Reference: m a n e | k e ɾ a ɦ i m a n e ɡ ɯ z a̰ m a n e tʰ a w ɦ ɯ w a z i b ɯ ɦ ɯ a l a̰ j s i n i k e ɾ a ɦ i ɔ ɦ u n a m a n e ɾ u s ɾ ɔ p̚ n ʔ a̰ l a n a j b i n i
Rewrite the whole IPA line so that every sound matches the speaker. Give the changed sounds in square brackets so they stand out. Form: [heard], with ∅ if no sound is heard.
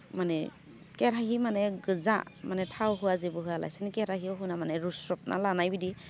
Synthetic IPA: m a n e | k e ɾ a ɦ i m a n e ɡ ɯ z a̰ m a n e tʰ a w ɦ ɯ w a z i b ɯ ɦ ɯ a l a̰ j s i n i k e ɾ a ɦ i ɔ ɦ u n a m a n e ɾ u s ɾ ɔ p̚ n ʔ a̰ l a n a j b i [d] i